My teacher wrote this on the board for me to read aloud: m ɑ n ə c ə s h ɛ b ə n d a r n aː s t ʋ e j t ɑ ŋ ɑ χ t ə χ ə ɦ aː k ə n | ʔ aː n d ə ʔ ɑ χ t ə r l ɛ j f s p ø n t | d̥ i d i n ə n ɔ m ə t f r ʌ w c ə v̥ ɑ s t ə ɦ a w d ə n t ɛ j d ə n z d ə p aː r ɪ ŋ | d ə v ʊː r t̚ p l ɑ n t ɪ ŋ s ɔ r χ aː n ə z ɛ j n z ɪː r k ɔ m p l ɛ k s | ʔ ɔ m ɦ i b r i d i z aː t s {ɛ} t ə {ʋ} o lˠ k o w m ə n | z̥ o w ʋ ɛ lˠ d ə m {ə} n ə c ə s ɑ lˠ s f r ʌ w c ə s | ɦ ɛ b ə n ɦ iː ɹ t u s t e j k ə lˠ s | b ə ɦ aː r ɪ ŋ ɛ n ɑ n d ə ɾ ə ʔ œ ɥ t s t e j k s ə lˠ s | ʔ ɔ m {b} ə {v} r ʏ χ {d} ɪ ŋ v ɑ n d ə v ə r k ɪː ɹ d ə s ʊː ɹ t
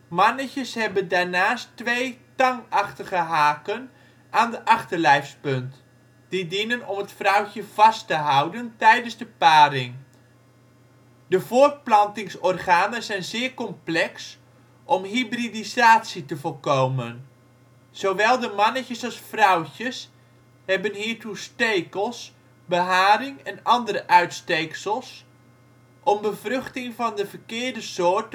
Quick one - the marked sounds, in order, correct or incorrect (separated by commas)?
incorrect, incorrect, incorrect, correct, correct, incorrect